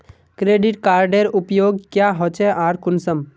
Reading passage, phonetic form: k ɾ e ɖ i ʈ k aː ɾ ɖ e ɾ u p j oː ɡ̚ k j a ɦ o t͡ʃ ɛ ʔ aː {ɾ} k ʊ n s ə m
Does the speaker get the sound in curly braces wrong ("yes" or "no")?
no